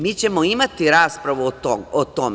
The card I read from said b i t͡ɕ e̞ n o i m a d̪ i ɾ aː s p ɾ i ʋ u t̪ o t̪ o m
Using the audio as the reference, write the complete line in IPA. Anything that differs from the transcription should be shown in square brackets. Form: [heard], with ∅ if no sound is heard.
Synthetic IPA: [m] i t͡ɕ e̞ [m] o i m a [t̪] i ɾ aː s p ɾ [a] ʋ u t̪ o t̪ o m